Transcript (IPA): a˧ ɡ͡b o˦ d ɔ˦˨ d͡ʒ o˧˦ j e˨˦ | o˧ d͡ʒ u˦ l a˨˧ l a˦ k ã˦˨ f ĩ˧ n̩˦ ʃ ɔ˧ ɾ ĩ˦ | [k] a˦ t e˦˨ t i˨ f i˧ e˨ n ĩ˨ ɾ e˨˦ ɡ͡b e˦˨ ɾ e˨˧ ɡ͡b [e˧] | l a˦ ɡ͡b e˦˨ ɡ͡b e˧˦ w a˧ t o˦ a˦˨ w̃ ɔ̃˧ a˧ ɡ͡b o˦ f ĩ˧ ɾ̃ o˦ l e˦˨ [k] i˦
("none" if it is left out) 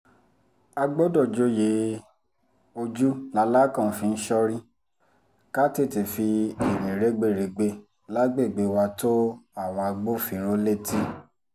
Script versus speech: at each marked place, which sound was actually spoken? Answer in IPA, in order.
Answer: k, e˧, t

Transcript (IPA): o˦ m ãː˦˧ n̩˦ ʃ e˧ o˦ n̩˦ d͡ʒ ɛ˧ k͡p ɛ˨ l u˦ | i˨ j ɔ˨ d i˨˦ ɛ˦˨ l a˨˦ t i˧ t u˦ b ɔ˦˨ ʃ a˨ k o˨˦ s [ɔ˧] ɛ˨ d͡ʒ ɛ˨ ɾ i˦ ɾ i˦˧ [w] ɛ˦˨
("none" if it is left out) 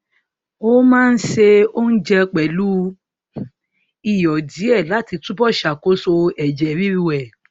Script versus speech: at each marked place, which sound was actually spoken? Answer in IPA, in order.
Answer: o˧, w

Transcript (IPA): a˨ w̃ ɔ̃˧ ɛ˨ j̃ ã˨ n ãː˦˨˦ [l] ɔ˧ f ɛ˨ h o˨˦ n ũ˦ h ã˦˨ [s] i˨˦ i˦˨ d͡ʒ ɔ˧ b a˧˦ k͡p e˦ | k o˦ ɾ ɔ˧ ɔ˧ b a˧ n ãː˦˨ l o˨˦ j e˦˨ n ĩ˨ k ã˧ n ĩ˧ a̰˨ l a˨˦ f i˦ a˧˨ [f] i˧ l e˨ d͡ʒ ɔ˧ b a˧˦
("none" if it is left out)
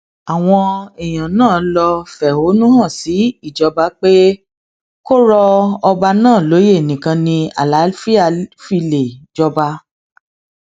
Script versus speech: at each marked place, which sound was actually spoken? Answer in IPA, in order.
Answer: l, s, f

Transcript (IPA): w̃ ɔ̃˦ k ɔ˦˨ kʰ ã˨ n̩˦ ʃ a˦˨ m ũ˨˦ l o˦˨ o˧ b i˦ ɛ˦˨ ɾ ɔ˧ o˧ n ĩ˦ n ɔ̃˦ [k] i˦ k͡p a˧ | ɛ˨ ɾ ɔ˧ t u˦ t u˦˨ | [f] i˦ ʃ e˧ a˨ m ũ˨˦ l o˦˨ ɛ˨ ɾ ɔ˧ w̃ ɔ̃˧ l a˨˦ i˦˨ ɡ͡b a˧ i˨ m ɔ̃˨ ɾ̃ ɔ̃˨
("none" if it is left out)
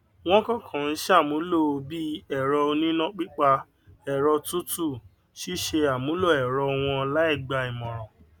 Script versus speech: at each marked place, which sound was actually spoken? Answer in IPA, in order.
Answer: k͡p, ʃ

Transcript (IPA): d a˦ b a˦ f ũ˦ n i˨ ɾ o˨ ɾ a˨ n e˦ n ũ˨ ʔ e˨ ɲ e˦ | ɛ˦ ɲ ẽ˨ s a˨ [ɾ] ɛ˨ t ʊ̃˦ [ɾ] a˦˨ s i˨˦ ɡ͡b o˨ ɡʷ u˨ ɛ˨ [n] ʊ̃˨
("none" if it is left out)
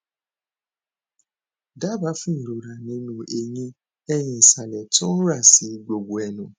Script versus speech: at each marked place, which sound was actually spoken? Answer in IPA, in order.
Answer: l, ɾ, n

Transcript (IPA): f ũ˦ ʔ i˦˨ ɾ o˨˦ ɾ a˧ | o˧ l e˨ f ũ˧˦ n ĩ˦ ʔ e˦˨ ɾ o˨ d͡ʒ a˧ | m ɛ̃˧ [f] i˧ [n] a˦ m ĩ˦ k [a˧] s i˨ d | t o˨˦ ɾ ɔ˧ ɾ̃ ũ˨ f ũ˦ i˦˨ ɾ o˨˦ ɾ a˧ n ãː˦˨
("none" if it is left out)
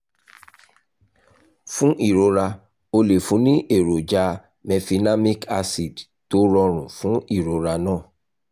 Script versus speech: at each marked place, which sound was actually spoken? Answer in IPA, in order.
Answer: f, n, a˧

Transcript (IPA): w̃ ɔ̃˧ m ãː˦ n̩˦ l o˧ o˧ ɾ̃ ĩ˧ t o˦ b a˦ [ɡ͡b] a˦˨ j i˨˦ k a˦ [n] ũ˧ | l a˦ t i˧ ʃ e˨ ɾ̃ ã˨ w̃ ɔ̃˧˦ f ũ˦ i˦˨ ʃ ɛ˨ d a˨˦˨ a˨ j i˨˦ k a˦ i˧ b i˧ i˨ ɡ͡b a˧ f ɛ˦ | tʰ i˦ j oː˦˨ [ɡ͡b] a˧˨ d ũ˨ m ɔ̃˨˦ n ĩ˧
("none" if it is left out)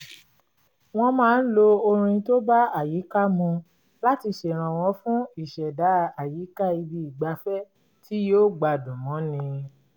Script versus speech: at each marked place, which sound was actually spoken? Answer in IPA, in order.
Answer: none, m, ɡ͡b

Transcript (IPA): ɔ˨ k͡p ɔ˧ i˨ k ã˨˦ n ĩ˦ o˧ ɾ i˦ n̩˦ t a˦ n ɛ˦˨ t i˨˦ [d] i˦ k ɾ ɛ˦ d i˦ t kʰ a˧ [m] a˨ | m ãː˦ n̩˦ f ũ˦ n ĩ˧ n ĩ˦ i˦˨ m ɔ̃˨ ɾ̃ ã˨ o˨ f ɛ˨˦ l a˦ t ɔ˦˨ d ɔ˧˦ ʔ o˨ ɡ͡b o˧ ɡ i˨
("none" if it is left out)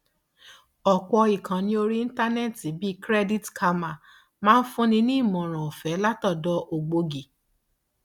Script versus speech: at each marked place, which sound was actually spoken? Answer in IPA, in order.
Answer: b, m

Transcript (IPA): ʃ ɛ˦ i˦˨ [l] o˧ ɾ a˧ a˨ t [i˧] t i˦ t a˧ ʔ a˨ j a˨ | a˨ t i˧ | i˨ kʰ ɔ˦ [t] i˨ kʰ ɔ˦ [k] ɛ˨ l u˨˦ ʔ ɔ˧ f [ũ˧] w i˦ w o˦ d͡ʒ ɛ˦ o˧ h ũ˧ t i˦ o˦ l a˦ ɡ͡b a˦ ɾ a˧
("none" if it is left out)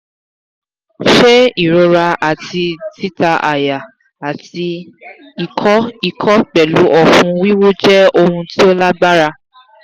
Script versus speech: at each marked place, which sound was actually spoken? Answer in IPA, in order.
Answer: ɾ, i˧, none, k͡p, ũ˧

